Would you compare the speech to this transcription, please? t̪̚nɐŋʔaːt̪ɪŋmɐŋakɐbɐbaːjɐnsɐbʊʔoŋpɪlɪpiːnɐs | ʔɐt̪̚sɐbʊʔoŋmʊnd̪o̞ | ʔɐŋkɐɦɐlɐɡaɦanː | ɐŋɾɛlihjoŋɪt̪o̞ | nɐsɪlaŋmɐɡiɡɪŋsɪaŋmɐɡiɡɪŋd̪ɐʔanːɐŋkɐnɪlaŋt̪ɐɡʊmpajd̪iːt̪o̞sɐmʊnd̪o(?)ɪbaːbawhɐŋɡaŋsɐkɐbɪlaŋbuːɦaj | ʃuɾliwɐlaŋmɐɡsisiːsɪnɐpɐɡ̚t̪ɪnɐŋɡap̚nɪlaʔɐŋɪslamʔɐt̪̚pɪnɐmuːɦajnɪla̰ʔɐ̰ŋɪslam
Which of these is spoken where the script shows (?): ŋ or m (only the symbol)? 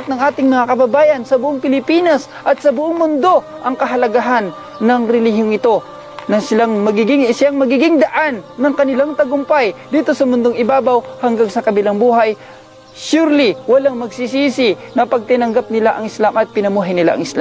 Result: ŋ